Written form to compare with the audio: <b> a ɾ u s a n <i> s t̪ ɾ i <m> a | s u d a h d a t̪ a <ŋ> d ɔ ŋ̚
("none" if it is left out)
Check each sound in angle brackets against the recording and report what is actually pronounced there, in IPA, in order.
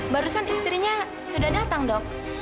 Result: b, i, ɲ, ŋ

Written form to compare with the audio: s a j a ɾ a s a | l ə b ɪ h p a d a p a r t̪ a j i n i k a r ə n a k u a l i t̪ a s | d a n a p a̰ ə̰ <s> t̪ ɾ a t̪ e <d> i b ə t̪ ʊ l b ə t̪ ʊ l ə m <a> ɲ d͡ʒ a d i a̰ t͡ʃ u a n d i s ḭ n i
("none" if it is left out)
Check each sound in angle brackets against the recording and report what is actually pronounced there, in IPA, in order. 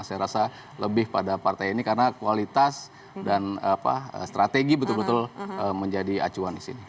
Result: s, ɡ, ə

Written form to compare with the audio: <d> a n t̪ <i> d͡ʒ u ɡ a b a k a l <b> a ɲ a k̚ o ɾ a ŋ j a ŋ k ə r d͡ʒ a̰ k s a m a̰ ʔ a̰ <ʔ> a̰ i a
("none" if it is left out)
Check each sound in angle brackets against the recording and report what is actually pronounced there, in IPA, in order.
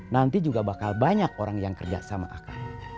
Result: n, i, b, k

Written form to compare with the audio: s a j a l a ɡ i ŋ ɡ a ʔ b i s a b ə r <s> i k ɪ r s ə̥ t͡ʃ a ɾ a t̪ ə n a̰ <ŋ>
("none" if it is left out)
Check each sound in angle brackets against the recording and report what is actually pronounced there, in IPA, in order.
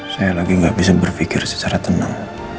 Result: f, ŋ

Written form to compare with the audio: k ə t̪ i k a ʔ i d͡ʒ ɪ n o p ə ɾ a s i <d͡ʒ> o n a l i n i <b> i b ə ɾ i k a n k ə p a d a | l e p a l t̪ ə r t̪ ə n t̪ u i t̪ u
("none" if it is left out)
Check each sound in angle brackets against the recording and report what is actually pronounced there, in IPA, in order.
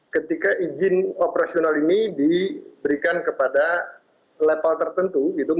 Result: none, d

